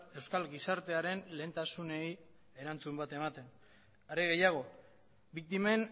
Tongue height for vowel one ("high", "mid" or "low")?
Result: mid